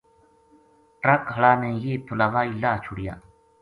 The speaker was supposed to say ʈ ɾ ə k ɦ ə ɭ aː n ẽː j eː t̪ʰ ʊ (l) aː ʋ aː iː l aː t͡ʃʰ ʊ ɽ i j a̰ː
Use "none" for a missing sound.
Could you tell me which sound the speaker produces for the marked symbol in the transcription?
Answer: l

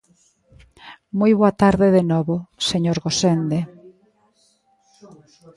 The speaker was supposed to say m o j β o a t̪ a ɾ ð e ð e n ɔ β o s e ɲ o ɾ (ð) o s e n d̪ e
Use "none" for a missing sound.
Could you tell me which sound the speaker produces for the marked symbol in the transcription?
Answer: ɣ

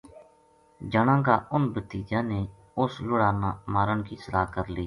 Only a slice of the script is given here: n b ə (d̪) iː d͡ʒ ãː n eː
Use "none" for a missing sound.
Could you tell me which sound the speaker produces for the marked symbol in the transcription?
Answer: t̪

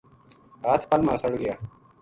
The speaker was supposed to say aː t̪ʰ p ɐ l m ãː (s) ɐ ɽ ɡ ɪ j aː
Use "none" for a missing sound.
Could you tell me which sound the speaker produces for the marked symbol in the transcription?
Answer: s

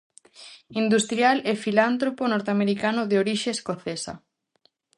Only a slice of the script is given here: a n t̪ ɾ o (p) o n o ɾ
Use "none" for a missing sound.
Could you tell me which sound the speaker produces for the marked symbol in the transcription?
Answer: p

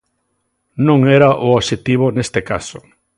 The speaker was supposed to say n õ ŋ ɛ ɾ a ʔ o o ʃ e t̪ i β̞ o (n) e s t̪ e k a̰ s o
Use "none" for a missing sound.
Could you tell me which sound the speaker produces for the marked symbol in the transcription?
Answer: n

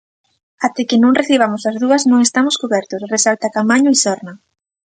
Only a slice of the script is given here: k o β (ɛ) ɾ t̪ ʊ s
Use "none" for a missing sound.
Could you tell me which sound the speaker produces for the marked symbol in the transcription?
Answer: ɛ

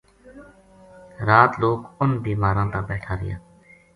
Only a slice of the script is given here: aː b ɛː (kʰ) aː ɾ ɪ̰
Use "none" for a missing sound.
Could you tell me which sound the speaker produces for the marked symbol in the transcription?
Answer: ʈʰ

